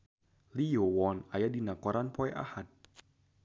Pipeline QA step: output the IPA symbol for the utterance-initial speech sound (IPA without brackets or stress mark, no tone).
l